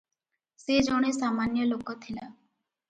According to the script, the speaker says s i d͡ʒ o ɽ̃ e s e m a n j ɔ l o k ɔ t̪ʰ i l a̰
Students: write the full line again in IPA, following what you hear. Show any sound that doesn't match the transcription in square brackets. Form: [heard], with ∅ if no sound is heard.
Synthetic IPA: s [e] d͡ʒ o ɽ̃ e s [a] m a n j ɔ l o k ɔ t̪ʰ i l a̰